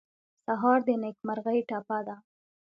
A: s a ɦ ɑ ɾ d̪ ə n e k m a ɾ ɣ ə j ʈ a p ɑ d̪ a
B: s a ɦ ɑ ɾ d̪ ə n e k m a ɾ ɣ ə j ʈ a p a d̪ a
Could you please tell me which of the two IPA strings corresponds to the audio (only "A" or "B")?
B